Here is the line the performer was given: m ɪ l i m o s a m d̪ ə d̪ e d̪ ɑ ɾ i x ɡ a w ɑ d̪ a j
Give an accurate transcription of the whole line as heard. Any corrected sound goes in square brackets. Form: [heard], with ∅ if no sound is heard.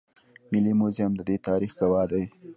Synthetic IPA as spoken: m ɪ l i m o [z] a m d̪ ə d̪ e [t̪] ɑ ɾ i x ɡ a w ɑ d̪ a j